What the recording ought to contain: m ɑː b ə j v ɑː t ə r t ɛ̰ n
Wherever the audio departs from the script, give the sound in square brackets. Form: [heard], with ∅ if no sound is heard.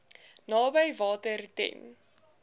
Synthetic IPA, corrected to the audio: [n] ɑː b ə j v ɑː t ə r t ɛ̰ n